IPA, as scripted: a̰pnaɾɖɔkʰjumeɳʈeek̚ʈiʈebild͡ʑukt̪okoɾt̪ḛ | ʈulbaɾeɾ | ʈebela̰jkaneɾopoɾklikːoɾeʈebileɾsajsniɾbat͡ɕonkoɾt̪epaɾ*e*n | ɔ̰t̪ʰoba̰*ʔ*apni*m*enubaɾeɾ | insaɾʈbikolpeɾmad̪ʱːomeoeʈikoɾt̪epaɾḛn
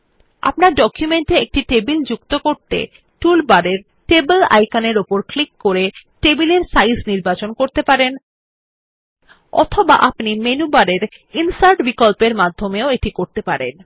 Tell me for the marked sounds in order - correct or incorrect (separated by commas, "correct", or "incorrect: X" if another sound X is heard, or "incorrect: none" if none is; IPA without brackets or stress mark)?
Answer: correct, correct, correct